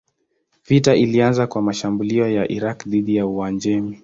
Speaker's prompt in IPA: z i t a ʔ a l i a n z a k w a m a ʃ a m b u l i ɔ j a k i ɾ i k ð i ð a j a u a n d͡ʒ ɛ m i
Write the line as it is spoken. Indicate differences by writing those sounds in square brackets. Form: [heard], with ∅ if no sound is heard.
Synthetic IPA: [v] i t a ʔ [i] l i a n z a k w a m a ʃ a m b u l i ɔ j a [ʔ] i ɾ [a] k ð i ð [i] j a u a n d͡ʒ ɛ m i